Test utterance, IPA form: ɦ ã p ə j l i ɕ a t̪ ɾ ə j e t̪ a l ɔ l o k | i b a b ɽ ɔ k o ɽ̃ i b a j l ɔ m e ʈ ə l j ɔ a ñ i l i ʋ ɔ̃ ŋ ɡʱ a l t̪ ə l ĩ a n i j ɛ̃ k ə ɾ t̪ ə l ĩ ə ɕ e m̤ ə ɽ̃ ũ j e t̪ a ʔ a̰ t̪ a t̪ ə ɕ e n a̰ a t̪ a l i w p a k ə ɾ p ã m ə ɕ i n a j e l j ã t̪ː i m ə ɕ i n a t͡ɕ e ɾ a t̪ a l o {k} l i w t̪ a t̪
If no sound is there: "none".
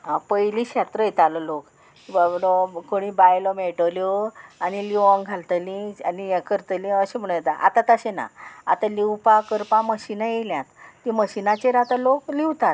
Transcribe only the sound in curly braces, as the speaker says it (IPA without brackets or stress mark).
k